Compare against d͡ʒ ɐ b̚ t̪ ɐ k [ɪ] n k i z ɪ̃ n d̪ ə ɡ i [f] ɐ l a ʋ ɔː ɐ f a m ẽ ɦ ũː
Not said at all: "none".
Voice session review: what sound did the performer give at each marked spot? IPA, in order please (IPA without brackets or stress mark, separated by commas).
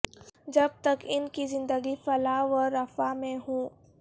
ɪ, f